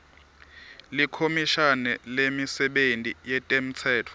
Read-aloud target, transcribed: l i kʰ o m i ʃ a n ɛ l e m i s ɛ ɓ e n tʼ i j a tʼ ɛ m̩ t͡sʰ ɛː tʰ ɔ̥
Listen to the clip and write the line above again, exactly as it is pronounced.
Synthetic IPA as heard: l i kʰ o m i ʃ a n ɛ l e m i s ɛ ɓ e n tʼ i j ɛ tʼ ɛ m̩ t͡sʰ ɛː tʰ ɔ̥